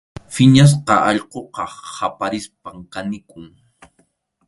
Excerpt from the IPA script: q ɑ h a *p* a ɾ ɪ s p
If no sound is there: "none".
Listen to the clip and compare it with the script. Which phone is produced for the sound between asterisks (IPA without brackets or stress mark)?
p